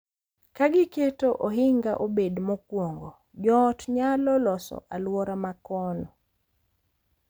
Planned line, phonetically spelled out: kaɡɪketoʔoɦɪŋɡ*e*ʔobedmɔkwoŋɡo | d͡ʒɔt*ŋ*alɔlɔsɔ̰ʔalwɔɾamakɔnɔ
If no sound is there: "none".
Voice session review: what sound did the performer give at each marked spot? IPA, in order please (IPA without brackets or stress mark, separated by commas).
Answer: a, ɲ